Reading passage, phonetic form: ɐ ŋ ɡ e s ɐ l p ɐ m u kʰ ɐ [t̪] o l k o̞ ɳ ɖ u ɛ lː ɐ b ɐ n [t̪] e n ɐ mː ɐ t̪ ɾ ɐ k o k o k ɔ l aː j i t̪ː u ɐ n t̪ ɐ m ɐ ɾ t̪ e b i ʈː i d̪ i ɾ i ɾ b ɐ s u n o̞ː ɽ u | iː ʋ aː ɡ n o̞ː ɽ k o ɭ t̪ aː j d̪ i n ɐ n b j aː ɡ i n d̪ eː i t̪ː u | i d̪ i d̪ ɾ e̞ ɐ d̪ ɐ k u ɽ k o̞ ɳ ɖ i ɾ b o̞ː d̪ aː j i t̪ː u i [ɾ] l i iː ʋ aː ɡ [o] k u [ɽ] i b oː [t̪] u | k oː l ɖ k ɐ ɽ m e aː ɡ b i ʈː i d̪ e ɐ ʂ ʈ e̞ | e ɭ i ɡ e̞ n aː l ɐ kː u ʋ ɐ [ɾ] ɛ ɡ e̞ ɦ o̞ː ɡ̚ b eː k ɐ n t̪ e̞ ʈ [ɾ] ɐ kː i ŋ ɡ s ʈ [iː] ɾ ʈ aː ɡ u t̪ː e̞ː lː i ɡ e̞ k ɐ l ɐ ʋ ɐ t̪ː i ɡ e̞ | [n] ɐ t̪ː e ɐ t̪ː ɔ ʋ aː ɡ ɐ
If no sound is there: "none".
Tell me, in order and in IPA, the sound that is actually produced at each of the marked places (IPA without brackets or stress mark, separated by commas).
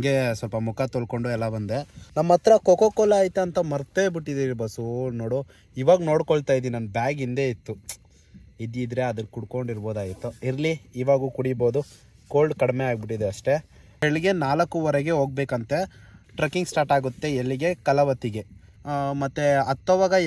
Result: t̪, d̪, ɾ, u, ɽ, d̪, ɾ, ɾ, aː, m